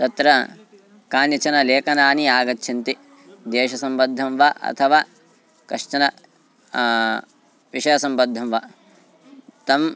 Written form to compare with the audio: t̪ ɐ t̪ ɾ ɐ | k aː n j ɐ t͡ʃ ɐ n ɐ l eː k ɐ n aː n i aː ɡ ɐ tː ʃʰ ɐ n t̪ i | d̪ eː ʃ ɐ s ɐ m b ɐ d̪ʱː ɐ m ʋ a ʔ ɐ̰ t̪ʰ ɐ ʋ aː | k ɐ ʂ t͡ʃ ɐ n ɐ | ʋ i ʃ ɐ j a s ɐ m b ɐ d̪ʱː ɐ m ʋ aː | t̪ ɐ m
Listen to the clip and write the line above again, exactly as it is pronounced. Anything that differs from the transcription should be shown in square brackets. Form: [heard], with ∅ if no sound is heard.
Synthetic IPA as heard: t̪ ɐ t̪ ɾ ɐ | k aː n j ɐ t͡ʃ ɐ n ɐ l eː k ɐ n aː n i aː ɡ ɐ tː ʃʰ ɐ n t̪ i | d̪ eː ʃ ɐ s ɐ m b ɐ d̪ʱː ɐ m ʋ a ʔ ɐ̰ t̪ʰ ɐ ʋ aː | k ɐ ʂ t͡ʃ ɐ n ɐ | ʋ i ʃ ɐ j [ɐ] s ɐ m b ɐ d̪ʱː ɐ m ʋ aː | t̪ ɐ m